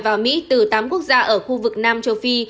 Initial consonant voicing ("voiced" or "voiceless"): voiced